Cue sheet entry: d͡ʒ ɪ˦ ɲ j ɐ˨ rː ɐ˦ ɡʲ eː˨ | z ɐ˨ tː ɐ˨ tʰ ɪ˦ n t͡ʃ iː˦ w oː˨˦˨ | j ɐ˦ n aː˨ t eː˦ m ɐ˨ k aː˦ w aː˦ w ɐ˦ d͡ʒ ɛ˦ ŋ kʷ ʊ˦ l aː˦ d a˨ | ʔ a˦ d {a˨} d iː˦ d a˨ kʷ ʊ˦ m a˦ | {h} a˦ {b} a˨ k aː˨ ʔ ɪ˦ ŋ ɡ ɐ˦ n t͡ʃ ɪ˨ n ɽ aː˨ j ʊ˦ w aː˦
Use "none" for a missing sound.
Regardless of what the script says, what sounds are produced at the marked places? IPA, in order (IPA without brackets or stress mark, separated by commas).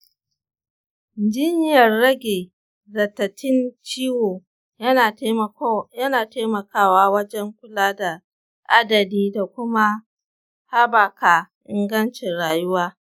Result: ɐ˨, h, b